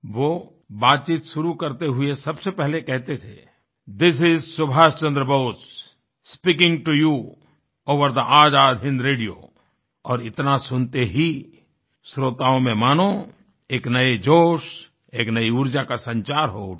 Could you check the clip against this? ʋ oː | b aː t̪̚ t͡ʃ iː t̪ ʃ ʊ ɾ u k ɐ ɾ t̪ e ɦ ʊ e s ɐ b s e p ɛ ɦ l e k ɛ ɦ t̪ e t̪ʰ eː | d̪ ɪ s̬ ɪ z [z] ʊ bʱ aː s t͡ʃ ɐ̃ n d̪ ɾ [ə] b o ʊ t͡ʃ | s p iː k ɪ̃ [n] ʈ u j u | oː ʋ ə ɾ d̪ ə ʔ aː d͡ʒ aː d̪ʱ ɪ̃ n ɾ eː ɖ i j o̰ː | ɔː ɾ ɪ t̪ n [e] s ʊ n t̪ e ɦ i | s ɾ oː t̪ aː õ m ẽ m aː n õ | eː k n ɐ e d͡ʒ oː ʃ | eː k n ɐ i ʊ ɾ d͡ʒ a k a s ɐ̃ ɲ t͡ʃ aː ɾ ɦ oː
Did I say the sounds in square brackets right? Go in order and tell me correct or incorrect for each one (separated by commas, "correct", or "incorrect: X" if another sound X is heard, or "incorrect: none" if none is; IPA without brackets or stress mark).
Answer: incorrect: s, correct, incorrect: ŋ, incorrect: a